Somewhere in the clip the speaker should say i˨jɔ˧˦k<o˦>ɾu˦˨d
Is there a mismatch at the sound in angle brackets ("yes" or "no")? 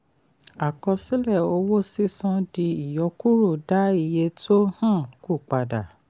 yes